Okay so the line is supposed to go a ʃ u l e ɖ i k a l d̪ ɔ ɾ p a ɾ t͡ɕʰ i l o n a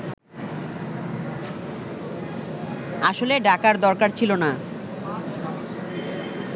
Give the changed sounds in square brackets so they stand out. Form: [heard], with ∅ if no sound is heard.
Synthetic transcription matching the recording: a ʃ [o] l e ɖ [a] k a [ɾ] d̪ ɔ ɾ [k] a ɾ t͡ɕʰ i l o n a